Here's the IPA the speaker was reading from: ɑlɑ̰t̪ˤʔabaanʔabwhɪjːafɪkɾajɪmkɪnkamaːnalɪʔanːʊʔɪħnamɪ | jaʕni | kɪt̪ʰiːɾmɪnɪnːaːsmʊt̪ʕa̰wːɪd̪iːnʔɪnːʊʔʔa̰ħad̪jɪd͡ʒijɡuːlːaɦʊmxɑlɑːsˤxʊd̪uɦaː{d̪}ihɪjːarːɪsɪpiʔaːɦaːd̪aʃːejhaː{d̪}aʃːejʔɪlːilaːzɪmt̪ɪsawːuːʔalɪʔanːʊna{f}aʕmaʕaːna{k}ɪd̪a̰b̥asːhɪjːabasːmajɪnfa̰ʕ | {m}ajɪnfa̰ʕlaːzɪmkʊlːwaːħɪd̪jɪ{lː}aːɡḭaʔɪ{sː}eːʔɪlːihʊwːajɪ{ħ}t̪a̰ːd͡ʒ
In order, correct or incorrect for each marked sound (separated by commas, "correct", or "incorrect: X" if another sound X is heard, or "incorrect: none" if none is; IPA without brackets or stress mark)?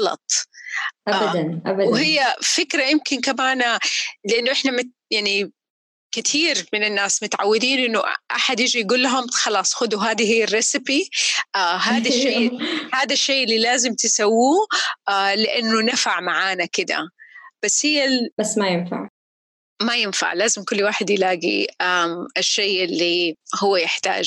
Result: correct, correct, correct, correct, correct, incorrect: l, incorrect: ʃː, correct